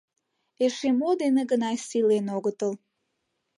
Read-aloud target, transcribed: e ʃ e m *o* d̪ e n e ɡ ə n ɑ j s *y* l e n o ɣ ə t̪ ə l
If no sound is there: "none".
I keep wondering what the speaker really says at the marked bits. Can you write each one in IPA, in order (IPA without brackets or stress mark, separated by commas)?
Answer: o, i